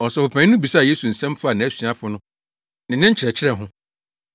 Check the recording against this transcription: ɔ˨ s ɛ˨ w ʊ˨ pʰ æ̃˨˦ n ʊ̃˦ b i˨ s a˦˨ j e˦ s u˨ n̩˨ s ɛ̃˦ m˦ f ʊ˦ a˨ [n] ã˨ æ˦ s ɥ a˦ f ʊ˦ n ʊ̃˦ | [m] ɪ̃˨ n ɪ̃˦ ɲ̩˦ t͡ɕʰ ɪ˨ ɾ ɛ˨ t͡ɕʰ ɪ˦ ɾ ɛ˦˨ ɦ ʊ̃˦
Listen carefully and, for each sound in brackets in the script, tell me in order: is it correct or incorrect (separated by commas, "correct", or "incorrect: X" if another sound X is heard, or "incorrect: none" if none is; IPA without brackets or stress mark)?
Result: correct, incorrect: n